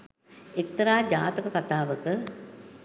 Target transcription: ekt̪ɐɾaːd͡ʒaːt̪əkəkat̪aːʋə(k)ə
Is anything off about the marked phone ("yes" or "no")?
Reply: no